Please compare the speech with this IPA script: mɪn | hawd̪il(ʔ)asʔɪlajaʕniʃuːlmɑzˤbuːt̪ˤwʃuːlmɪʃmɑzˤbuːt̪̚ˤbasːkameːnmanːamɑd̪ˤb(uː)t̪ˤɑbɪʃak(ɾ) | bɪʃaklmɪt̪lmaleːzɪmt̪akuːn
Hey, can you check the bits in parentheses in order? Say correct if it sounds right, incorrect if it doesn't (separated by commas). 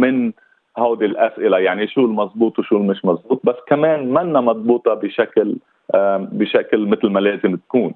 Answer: correct, correct, incorrect